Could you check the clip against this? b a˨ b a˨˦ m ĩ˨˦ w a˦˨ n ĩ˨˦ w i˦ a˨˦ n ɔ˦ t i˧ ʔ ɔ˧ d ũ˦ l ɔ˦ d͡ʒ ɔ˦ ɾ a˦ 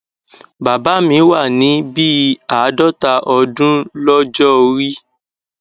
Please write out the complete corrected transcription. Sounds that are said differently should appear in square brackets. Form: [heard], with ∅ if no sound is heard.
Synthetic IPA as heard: b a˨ b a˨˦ m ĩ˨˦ w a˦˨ n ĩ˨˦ [b] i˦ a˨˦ [d] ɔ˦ t [a˧] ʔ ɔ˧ d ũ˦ l ɔ˦ d͡ʒ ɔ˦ ɾ [i˦]